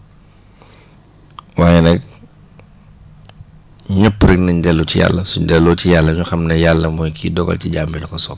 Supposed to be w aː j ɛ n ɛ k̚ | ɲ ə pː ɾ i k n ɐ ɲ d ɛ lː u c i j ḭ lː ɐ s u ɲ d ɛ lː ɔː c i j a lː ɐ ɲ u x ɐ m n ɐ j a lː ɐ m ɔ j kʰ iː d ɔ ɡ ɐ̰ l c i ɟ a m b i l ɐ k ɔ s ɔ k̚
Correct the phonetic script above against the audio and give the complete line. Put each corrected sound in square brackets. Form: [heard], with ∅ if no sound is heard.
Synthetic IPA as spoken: w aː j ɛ n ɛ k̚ | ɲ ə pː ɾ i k n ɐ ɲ d ɛ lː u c i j [a̰] lː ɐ s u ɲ d ɛ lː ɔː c i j a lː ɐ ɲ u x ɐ m n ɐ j a lː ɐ m ɔ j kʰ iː d ɔ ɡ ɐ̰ l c i ɟ a m b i l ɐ k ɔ s ɔ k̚